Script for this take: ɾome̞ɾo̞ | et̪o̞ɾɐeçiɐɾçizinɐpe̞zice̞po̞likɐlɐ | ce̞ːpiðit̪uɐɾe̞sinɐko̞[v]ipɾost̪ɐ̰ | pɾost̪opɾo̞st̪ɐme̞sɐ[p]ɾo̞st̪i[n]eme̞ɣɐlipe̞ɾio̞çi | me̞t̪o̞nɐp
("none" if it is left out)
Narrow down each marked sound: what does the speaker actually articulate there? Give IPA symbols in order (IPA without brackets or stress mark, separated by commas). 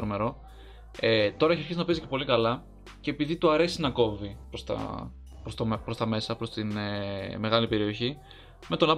v, p, n